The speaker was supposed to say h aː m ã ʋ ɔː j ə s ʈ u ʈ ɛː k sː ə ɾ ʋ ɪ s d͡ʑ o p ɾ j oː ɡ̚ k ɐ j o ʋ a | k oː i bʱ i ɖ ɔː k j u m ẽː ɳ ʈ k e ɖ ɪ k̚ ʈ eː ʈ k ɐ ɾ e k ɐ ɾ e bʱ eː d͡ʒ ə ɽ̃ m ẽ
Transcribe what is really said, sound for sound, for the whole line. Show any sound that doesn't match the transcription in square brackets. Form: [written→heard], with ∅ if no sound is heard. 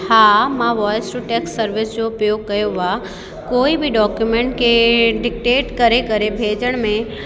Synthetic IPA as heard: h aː m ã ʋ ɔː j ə s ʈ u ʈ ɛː k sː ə ɾ ʋ ɪ s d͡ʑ o p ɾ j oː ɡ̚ k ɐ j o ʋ a | k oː i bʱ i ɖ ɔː k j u m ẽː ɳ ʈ k e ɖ ɪ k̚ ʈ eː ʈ k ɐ ɾ e k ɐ ɾ e bʱ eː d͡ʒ ə ɽ̃ m ẽ